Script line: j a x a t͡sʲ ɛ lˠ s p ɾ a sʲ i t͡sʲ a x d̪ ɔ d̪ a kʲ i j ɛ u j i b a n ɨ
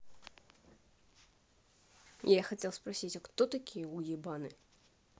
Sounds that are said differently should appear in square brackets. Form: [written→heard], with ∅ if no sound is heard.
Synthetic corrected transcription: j a x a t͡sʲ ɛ lˠ s p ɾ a sʲ i t͡sʲ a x [d̪→t̪] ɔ [d̪→t̪] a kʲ i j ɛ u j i b a n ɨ